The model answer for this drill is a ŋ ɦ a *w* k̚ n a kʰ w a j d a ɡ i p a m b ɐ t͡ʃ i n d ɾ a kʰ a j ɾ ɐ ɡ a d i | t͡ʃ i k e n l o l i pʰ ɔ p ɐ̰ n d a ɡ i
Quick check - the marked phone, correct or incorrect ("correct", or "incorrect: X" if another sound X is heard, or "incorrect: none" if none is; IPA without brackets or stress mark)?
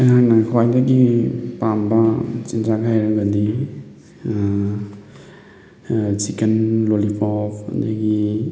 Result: incorrect: none